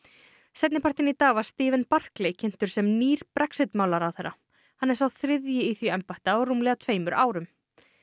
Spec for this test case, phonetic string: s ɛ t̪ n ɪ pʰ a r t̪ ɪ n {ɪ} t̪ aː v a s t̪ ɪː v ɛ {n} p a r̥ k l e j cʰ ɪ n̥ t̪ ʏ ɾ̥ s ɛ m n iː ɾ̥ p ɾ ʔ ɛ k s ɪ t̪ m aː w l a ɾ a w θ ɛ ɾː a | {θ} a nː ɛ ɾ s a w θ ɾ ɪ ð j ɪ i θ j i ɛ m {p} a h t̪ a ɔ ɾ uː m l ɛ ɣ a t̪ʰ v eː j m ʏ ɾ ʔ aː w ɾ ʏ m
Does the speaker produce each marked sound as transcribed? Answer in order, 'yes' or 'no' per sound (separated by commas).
no, yes, no, yes